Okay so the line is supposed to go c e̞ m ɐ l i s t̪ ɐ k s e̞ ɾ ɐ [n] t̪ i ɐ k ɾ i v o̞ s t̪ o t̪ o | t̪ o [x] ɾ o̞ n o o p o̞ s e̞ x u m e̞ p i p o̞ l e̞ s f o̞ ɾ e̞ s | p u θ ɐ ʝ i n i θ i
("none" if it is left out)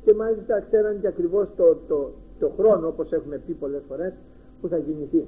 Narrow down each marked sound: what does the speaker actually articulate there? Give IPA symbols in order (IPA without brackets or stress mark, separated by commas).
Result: n, x